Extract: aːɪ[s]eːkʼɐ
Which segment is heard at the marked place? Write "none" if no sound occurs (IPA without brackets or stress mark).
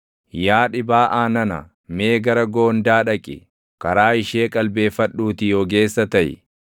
ʃ